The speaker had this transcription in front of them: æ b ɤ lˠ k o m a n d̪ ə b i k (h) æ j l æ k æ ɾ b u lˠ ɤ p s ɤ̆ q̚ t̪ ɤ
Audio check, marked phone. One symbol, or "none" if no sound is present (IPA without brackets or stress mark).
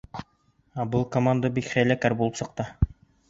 χ